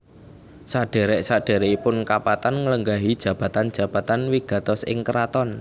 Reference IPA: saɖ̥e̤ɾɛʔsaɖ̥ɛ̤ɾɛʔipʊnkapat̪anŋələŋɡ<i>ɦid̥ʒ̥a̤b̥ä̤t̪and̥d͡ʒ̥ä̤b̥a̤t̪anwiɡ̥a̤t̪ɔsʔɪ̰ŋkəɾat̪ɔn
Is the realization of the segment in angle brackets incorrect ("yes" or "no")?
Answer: yes